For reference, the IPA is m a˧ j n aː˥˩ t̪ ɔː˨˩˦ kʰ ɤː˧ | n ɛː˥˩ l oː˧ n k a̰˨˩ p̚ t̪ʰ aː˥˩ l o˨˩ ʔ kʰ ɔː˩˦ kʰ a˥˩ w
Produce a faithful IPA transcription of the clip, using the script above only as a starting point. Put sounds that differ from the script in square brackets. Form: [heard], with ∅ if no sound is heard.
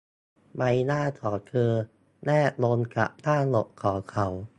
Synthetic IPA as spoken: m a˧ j n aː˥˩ [t̪ʰ] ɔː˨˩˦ kʰ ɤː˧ | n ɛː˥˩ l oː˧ n k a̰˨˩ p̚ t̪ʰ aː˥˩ l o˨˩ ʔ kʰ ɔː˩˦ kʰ [a˨˦] w